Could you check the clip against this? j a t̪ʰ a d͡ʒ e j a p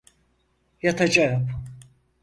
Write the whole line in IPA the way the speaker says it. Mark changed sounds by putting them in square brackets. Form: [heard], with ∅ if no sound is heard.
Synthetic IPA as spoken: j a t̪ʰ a d͡ʒ [a] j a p